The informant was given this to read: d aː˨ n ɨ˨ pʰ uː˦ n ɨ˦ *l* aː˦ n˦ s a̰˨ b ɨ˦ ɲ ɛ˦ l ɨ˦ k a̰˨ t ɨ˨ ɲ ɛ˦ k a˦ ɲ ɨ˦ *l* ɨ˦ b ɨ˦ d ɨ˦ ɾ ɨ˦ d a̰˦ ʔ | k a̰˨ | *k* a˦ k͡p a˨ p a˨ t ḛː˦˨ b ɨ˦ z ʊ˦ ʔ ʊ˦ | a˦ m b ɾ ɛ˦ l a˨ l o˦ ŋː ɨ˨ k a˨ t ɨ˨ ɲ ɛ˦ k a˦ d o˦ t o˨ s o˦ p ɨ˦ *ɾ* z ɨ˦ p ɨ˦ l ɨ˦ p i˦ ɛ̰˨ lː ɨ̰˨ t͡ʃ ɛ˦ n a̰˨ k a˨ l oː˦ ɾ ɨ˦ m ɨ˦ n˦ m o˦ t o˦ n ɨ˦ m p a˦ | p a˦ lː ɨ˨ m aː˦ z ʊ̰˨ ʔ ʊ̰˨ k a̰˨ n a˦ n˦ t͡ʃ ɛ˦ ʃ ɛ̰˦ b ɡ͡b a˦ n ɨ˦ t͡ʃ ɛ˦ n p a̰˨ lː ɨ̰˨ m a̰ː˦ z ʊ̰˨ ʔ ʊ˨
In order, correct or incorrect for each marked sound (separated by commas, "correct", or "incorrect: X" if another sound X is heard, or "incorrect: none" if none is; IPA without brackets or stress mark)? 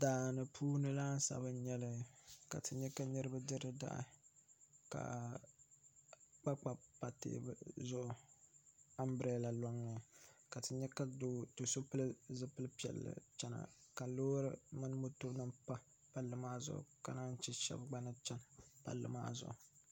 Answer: correct, incorrect: ɾ, incorrect: k͡p, incorrect: l